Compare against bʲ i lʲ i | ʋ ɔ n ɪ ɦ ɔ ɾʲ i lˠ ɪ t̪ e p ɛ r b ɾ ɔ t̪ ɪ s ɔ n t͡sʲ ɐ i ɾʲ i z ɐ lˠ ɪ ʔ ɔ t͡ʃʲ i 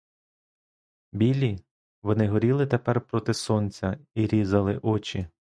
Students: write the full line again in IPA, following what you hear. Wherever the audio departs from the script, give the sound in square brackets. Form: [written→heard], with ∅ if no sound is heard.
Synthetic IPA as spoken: bʲ i lʲ i | ʋ ɔ n ɪ ɦ ɔ ɾʲ i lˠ ɪ t̪ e p ɛ r [b→p] ɾ ɔ t̪ ɪ s ɔ n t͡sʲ ɐ i ɾʲ i z ɐ lˠ ɪ ʔ ɔ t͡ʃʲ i